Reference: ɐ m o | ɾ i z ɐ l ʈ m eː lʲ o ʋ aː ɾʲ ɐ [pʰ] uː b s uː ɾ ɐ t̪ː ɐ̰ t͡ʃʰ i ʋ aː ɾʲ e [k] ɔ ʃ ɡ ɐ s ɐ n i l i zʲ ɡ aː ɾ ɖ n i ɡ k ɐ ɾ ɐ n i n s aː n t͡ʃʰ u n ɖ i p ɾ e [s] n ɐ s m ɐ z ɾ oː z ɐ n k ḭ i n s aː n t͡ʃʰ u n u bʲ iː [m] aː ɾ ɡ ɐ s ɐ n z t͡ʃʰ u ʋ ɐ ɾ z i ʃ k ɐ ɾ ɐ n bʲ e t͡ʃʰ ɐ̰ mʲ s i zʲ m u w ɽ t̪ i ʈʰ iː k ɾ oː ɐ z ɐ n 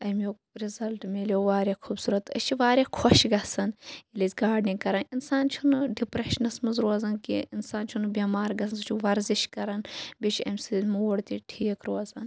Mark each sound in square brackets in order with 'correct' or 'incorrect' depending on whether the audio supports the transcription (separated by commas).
incorrect, incorrect, incorrect, correct